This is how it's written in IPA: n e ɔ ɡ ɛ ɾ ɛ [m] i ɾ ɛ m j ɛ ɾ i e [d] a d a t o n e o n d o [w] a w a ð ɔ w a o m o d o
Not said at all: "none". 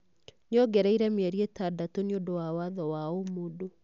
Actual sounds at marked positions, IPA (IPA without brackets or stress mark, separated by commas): none, t, w